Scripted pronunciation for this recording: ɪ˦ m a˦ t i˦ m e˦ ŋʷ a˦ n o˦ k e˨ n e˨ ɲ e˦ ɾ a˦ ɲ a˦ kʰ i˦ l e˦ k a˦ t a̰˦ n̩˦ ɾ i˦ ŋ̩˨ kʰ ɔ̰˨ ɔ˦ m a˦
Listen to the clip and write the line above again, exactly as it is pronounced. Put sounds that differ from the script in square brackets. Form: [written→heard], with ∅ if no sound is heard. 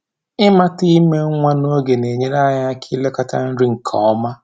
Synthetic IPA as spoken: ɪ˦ m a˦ t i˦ m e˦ ŋʷ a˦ n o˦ [k→ɡ] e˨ n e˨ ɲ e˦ ɾ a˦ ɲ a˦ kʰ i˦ l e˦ k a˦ t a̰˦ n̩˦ ɾ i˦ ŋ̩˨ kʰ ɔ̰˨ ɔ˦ m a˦